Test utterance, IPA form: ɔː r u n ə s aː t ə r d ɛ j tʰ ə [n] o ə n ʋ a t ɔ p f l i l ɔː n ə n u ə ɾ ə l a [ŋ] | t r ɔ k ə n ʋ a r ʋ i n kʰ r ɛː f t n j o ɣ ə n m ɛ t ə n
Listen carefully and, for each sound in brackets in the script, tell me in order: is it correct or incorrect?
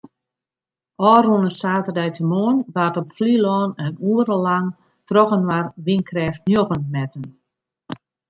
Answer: incorrect, correct

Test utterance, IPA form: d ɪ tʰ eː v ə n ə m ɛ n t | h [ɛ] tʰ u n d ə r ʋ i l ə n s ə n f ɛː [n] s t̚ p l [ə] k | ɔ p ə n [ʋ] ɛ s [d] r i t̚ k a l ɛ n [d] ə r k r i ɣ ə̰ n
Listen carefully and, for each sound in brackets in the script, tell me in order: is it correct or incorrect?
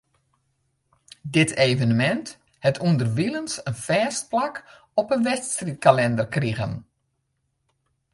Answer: correct, incorrect, incorrect, correct, incorrect, correct

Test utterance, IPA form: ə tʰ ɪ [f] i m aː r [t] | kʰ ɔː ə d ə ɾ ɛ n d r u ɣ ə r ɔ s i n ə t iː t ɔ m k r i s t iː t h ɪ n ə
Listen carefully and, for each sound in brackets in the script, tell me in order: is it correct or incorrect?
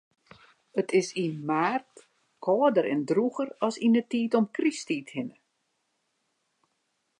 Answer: incorrect, correct

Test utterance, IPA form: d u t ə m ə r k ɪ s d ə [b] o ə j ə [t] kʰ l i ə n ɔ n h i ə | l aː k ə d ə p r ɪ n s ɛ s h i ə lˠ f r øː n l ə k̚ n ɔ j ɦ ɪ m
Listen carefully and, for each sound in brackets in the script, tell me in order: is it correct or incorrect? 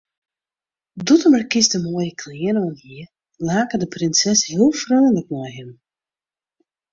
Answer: incorrect, incorrect

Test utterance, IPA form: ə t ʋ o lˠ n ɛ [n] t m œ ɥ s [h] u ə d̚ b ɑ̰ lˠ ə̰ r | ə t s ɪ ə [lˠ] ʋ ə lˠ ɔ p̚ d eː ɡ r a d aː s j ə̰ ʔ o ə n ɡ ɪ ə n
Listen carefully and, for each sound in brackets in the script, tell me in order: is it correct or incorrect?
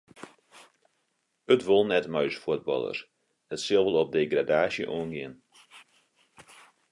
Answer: incorrect, incorrect, correct

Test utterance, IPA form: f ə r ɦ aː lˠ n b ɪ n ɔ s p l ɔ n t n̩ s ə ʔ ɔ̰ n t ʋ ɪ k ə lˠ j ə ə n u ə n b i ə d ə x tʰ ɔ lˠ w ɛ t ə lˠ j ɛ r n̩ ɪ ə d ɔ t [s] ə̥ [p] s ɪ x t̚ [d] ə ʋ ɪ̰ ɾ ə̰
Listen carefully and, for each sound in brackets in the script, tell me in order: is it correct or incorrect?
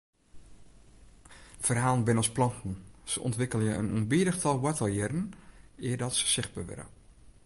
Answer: correct, incorrect, incorrect

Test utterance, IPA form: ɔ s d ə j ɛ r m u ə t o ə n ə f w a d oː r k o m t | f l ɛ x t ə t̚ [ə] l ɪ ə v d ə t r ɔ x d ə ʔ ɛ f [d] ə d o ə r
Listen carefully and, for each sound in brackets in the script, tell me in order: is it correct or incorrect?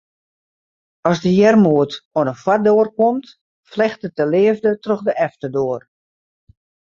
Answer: correct, incorrect

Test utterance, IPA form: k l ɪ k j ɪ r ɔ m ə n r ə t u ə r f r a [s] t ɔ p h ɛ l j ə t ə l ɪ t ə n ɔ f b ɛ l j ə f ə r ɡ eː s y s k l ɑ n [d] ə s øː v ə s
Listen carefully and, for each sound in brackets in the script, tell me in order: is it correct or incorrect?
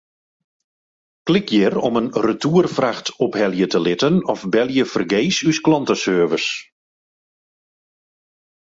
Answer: incorrect, incorrect

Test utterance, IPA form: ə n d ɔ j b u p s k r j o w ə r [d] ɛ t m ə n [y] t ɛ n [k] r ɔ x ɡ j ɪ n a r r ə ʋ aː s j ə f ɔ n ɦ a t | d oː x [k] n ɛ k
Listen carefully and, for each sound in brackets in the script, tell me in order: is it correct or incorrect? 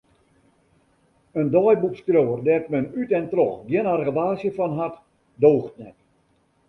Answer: correct, correct, incorrect, incorrect

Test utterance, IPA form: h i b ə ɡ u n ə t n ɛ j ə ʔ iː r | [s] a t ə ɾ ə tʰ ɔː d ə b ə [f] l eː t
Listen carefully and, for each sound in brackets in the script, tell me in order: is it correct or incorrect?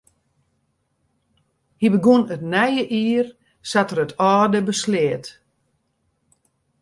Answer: correct, incorrect

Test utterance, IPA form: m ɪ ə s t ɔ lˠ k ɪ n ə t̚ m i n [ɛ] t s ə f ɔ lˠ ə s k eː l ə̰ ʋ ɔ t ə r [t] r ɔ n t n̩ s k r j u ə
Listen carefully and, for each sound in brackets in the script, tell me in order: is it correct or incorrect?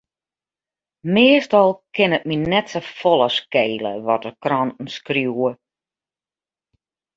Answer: correct, incorrect

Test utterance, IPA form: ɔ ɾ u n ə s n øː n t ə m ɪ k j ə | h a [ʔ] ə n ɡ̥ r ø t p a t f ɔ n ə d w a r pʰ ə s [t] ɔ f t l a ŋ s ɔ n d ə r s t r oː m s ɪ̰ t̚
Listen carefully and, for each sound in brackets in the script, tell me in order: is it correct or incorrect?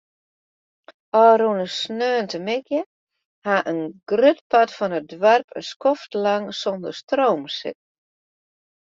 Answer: correct, incorrect

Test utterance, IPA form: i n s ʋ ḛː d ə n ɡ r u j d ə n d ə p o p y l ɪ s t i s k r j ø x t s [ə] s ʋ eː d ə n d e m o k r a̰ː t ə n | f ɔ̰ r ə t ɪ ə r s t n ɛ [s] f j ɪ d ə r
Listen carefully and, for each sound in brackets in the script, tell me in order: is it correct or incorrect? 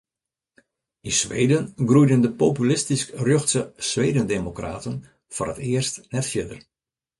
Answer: correct, incorrect

